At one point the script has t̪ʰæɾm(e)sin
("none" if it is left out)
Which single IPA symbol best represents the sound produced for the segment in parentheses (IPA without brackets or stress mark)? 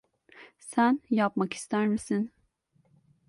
i